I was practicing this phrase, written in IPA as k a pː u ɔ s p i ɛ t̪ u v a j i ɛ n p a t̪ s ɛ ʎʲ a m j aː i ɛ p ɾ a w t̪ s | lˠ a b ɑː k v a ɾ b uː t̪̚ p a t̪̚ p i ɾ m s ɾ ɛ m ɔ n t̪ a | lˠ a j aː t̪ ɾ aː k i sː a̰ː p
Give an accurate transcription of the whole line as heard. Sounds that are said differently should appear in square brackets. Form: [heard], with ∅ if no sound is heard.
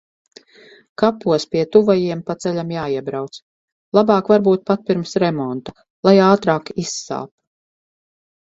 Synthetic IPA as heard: k a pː u ɔ s p i ɛ t̪ u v a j i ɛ [m] p a t̪ s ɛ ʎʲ a m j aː i ɛ [b] ɾ a w t̪ s | lˠ a b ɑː k v a ɾ b uː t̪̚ p a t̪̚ p i ɾ m s ɾ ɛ m ɔ n t̪ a | lˠ a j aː t̪ ɾ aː k i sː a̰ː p